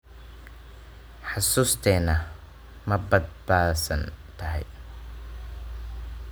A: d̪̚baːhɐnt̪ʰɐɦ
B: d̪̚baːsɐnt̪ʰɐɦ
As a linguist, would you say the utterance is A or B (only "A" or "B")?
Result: B